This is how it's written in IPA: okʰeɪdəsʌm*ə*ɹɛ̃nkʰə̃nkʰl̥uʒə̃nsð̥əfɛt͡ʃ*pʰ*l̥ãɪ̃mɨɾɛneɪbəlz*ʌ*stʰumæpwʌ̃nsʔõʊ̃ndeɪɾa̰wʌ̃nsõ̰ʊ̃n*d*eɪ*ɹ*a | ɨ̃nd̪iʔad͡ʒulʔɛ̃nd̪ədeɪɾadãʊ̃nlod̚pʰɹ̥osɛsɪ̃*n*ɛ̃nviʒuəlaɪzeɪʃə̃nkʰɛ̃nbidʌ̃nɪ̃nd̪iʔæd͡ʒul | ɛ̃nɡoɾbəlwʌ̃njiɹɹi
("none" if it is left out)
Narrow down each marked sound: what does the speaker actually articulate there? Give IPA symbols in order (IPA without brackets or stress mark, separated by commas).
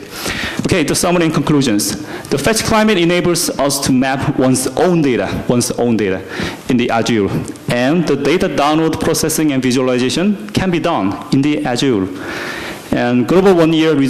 ə, kʰ, ʌ, d, ɾ, ŋ